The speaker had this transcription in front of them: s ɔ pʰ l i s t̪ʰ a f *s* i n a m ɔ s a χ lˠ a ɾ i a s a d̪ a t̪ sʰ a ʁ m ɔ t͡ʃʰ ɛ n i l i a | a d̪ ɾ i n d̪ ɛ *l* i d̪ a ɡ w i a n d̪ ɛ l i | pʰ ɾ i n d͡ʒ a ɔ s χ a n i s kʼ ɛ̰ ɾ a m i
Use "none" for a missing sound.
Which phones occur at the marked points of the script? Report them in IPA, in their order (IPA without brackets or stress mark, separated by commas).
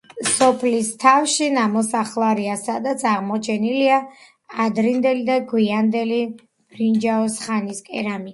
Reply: ʃ, l